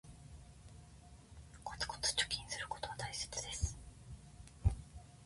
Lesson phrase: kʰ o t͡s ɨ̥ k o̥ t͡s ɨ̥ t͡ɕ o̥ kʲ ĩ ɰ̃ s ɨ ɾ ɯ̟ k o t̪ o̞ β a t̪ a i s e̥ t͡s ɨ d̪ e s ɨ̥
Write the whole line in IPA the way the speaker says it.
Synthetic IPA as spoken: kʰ o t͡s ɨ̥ k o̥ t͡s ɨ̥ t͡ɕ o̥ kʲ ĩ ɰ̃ s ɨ ɾ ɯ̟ k o t̪ o̞ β a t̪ a i s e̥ t͡s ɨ d̪ e s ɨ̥